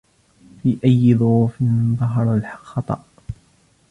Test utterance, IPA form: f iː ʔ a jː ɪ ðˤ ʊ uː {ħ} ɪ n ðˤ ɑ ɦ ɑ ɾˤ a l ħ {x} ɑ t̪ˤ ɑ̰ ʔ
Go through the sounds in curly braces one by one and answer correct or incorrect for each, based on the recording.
incorrect: f, correct

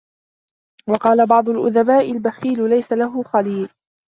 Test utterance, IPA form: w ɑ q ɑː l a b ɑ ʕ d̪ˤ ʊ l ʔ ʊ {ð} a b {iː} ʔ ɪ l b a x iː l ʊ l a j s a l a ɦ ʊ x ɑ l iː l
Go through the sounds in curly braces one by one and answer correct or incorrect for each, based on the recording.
correct, incorrect: aː

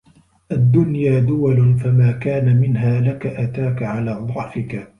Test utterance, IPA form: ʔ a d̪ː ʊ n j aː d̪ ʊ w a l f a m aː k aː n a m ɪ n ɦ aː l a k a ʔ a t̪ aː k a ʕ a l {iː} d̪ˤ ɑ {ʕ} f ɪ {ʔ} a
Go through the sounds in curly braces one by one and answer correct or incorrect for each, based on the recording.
incorrect: aː, correct, incorrect: k

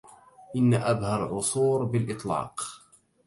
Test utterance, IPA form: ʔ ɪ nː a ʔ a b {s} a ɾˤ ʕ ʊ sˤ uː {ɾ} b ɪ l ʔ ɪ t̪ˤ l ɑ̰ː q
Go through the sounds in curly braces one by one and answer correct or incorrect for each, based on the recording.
incorrect: h, correct

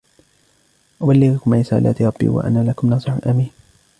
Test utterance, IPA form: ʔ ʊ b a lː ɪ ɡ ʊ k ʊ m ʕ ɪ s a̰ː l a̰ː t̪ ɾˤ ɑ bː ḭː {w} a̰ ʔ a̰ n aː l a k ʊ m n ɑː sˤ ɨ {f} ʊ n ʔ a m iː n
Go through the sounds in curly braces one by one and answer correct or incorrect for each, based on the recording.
correct, incorrect: ħ

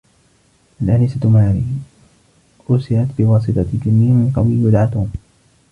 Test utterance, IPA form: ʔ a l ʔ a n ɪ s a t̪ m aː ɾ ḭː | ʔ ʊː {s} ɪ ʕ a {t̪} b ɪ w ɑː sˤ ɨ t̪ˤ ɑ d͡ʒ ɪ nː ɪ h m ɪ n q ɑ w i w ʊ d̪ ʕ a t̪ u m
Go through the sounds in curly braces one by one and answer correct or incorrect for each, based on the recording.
correct, correct

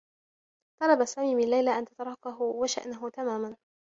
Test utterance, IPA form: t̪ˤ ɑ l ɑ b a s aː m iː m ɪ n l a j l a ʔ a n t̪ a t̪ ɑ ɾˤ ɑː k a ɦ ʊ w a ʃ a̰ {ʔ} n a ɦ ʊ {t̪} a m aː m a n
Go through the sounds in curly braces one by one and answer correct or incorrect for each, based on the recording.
correct, correct

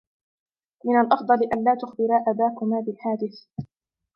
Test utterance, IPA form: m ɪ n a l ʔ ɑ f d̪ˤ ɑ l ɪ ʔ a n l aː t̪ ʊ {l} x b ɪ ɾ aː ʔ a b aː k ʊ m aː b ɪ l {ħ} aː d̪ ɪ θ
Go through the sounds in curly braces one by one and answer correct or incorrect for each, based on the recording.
incorrect: none, correct

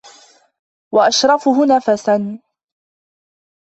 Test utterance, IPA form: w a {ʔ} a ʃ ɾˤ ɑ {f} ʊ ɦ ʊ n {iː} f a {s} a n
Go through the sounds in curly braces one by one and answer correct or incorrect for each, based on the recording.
correct, correct, incorrect: aː, correct

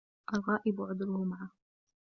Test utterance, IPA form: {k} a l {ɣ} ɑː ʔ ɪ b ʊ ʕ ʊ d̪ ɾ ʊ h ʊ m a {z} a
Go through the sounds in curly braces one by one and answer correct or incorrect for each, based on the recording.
incorrect: ʔ, correct, incorrect: ʕ

